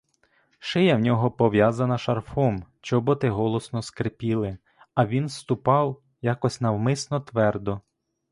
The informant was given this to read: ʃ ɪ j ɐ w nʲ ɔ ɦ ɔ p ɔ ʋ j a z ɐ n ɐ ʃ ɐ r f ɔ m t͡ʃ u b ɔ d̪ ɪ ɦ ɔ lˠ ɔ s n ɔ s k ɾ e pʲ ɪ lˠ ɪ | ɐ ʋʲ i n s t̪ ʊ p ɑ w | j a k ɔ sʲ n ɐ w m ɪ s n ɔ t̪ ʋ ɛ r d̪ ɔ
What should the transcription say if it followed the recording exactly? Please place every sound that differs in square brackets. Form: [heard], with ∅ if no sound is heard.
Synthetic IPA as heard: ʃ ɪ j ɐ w nʲ ɔ ɦ ɔ p ɔ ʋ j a z ɐ n ɐ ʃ ɐ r f ɔ m t͡ʃ [ɔ] b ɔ [t̪] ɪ ɦ ɔ lˠ ɔ s n ɔ s k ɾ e pʲ [i] lˠ ɪ | ɐ ʋʲ i n s t̪ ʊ p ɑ w | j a k ɔ sʲ n ɐ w m ɪ s n ɔ t̪ ʋ ɛ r d̪ ɔ